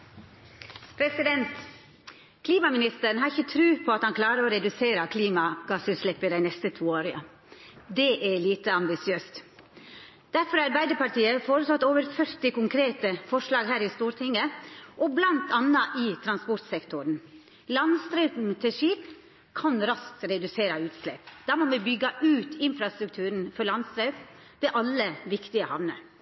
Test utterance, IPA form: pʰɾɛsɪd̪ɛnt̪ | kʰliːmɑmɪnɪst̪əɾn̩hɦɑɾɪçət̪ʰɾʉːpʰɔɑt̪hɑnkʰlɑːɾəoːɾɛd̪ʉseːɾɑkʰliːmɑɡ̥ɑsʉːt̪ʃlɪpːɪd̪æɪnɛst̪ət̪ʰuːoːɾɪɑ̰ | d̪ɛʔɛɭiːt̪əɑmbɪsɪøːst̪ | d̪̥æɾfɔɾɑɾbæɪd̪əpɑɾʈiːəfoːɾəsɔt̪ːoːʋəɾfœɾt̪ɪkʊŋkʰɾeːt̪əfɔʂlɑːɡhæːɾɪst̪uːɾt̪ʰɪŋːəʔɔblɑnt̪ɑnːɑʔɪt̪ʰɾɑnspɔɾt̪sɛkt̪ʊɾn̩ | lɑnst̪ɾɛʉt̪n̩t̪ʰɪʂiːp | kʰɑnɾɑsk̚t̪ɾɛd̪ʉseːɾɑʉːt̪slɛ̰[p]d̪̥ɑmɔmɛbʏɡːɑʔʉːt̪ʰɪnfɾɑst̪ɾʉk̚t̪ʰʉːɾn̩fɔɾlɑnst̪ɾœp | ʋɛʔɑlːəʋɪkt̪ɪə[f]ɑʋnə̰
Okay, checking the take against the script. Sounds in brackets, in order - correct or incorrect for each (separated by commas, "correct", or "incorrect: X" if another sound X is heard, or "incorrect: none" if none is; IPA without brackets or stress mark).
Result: correct, incorrect: h